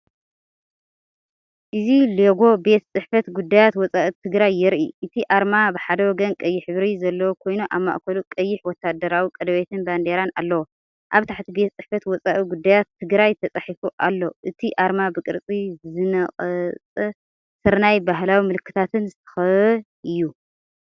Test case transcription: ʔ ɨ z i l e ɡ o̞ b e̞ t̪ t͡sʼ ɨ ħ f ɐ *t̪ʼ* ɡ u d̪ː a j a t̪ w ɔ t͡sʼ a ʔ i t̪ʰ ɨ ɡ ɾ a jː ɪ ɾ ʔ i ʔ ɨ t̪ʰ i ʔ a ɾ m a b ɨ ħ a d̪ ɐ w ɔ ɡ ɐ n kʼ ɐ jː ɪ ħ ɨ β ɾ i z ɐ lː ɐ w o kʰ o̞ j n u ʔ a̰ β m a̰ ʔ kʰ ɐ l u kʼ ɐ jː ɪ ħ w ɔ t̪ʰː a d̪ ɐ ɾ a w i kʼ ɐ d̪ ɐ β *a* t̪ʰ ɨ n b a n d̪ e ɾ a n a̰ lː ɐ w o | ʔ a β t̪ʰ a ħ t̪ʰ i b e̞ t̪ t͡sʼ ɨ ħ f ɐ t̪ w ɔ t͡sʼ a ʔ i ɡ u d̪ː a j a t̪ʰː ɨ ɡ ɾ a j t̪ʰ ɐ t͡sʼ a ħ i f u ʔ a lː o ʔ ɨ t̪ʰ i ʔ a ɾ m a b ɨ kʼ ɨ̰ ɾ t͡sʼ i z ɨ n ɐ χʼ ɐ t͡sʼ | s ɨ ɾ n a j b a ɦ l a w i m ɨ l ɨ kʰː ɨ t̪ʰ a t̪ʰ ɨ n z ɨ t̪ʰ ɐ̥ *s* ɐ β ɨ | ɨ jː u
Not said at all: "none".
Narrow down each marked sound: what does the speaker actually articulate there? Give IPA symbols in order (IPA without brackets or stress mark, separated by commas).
t̪, e, x